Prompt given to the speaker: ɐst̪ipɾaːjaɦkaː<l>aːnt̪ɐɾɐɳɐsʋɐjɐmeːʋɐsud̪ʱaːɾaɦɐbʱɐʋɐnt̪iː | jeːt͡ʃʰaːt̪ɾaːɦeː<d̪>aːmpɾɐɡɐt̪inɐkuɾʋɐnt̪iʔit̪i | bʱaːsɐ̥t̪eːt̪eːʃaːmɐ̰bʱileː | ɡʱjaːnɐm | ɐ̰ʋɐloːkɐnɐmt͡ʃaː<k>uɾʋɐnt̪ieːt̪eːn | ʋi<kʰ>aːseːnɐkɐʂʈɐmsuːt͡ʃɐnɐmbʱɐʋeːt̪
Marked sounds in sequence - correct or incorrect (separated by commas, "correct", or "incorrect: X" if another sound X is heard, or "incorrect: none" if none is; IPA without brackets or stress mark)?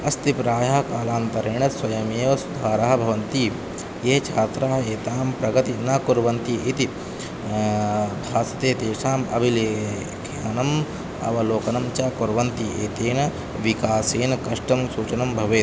correct, incorrect: t̪, correct, incorrect: k